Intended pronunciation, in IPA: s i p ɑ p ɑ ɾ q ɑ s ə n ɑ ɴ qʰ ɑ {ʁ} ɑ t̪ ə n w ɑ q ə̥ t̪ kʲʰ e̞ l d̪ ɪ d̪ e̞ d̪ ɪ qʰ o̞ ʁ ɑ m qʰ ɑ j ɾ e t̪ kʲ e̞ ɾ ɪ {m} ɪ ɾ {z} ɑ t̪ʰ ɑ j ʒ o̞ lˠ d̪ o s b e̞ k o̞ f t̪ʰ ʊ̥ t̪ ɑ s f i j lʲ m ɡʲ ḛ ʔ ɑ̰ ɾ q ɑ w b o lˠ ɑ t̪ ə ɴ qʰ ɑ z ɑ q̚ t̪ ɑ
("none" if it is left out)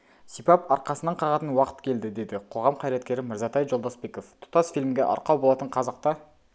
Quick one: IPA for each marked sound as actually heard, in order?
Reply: ʁ, m, z

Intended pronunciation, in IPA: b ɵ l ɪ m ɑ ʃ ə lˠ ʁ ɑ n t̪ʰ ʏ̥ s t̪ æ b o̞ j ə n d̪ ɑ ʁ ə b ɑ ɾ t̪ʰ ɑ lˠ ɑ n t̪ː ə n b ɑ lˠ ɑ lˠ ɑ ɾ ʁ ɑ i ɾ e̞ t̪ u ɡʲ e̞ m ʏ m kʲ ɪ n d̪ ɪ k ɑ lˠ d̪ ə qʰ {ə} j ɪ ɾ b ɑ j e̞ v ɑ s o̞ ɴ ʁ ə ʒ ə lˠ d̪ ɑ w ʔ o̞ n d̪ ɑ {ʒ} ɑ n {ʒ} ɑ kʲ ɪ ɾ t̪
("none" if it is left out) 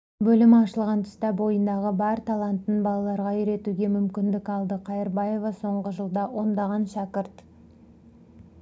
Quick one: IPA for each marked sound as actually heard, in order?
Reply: ɑ, ʁ, ʃ

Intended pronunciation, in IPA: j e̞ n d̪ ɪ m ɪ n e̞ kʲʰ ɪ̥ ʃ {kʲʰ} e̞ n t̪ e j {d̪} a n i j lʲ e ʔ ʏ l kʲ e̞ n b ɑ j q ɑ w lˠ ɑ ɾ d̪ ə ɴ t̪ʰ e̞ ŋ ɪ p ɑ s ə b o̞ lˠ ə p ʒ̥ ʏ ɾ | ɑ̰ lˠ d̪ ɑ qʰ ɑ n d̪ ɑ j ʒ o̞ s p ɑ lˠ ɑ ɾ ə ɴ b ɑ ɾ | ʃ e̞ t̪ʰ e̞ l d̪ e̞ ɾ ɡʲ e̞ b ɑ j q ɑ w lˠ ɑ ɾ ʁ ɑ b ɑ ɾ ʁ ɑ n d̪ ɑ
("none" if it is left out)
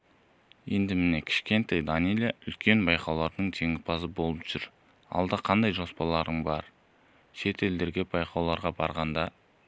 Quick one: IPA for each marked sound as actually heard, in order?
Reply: kʲ, d̪

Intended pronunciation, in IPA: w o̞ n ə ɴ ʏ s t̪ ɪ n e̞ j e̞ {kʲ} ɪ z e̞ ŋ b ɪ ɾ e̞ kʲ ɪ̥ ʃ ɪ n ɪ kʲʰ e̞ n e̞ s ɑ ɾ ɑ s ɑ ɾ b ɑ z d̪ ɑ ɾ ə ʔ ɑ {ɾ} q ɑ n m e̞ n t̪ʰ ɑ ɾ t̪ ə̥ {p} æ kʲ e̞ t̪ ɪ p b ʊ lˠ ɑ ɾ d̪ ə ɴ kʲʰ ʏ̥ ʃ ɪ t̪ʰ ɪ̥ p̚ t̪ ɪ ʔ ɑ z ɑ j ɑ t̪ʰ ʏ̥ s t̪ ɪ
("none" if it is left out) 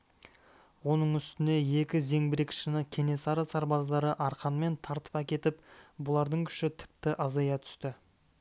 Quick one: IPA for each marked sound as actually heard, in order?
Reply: kʲ, ɾ, p

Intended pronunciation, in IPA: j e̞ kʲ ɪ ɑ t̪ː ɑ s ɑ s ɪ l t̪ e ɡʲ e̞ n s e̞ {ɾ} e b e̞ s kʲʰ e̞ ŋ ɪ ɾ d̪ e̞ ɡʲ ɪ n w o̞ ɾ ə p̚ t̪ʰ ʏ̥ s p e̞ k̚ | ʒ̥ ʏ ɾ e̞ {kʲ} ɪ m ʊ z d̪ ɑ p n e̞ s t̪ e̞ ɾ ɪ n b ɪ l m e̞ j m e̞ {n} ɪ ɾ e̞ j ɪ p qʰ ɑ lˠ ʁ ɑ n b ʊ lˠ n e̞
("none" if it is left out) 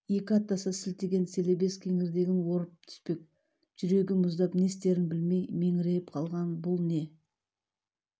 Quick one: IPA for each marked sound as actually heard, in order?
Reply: l, ɡʲ, ŋ

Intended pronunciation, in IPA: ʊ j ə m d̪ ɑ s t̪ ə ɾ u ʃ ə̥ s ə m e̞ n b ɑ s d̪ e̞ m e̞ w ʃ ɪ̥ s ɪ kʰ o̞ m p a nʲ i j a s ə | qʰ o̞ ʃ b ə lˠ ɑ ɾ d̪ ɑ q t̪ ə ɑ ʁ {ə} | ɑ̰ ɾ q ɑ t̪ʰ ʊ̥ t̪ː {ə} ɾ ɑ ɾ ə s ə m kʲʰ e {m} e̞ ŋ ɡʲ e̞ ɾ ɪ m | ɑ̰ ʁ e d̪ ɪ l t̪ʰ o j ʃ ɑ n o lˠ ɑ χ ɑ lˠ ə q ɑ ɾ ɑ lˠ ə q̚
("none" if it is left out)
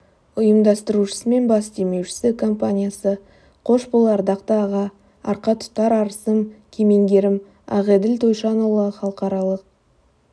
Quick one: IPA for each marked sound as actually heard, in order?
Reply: ɑ, ɑ, m

